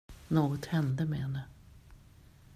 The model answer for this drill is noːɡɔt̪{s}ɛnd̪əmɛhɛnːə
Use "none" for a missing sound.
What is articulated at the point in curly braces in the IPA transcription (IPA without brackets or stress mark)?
h